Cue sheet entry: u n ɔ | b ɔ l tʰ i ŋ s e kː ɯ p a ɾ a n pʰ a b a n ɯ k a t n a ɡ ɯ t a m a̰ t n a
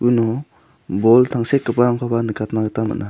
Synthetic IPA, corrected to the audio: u n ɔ | b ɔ l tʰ a ŋ s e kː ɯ p a ɾ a ŋ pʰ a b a n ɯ k a t n a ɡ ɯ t a m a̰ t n a